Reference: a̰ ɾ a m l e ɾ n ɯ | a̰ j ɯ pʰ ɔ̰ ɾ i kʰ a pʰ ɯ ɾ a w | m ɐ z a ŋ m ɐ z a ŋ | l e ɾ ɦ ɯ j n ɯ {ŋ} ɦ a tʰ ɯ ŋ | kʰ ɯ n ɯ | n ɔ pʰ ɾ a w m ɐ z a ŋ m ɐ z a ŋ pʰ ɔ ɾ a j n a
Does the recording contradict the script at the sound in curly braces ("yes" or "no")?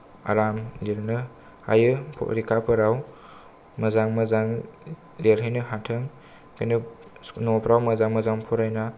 yes